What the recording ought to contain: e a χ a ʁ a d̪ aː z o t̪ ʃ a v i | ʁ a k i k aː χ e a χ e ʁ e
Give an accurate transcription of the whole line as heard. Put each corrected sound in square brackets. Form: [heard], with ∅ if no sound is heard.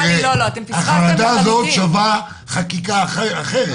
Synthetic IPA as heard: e a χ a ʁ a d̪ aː z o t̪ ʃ a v [a] | [χ] a k i k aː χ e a χ e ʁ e